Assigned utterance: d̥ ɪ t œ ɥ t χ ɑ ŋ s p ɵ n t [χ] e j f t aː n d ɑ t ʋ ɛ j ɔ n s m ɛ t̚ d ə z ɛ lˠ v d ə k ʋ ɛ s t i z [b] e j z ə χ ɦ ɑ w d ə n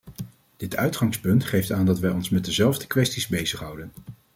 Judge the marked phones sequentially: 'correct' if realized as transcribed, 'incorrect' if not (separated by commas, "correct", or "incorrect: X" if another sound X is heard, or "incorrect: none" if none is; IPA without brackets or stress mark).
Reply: correct, correct